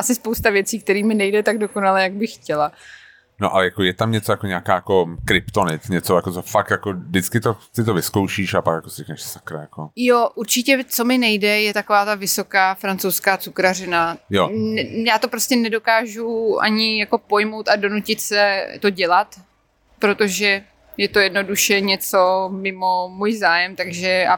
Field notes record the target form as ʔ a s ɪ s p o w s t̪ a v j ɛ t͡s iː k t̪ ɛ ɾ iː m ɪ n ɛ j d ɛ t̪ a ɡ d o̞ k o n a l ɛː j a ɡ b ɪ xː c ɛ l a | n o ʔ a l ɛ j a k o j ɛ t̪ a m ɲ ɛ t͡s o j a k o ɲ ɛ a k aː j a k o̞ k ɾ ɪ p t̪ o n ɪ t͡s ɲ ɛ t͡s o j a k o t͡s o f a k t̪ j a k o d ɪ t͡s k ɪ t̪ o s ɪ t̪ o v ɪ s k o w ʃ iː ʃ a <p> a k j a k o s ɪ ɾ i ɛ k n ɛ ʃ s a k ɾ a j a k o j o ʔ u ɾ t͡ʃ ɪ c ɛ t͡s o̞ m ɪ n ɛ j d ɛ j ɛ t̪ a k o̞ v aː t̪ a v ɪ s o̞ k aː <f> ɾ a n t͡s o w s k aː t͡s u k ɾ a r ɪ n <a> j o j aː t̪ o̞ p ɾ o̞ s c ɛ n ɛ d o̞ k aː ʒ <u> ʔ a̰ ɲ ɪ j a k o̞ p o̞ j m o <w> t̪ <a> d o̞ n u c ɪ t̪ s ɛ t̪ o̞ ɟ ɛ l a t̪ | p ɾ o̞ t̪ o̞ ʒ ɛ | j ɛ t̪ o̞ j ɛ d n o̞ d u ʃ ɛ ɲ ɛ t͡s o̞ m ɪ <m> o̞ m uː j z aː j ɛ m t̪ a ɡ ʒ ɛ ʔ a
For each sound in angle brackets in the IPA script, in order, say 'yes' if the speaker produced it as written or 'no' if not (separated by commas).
yes, yes, yes, yes, yes, yes, yes